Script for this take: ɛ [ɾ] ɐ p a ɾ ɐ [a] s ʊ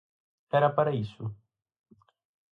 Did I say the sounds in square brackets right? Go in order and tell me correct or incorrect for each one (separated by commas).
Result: correct, incorrect